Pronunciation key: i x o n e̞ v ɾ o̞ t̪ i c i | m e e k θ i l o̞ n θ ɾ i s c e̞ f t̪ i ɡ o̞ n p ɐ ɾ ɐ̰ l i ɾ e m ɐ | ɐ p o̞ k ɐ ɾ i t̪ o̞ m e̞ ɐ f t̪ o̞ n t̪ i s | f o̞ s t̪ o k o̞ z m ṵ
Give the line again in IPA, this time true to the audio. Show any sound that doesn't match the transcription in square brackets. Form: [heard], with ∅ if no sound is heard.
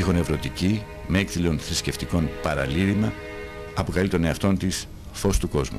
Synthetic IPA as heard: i x o n e̞ v ɾ o̞ t̪ i c i | m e e k θ i l o̞ n θ ɾ i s c e̞ f t̪ i [k] o̞ n p ɐ ɾ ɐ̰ l i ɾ [i] m ɐ | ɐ p o̞ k ɐ [l] i t̪ o̞ [n] e̞ ɐ f t̪ o̞ n t̪ i s | f o̞ s t̪ [u] k o̞ z m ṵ